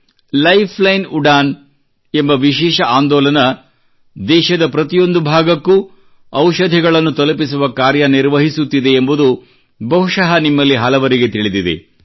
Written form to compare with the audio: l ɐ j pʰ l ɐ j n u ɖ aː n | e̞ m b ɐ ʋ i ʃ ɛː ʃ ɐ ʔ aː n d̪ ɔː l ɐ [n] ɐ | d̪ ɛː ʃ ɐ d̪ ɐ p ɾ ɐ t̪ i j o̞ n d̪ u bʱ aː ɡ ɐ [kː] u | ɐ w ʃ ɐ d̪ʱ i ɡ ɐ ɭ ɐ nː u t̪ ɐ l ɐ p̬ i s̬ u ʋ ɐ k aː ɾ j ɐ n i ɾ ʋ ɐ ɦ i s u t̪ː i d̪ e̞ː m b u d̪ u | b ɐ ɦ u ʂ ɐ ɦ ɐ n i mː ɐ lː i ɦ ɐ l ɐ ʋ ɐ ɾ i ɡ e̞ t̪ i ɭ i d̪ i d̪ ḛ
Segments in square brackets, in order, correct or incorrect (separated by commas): correct, correct